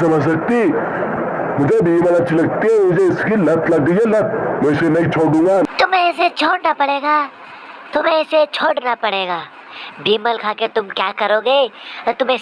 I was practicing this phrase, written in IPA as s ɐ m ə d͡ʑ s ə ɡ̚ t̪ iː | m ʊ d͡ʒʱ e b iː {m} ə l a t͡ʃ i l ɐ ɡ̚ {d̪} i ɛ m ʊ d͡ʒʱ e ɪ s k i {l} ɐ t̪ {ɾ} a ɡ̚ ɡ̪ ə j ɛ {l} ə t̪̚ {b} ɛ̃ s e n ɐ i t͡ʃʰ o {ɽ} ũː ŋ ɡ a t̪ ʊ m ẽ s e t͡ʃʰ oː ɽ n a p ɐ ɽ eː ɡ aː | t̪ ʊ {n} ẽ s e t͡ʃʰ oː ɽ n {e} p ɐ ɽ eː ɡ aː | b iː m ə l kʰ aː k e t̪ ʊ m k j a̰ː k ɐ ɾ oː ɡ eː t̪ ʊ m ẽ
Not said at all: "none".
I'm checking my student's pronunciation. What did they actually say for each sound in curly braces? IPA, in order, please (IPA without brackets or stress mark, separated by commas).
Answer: m, t̪, l, l, l, m, ɽ, m, a